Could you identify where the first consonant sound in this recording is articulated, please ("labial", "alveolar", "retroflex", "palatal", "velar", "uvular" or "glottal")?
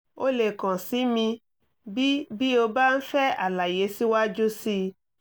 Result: alveolar